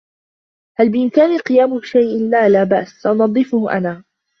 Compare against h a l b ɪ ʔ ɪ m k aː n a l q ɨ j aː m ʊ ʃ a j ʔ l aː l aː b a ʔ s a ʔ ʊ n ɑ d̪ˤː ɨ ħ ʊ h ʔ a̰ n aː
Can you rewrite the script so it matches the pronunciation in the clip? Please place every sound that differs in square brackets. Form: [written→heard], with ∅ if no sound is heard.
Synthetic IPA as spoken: h a l b ɪ ʔ ɪ m k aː n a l q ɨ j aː m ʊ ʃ a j ʔ l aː l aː b a ʔ s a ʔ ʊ n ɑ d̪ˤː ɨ [ħ→f] ʊ h ʔ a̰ n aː